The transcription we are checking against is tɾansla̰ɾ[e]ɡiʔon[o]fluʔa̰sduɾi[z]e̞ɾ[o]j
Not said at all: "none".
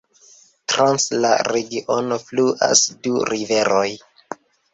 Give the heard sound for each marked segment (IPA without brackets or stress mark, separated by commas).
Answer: e, o, v, o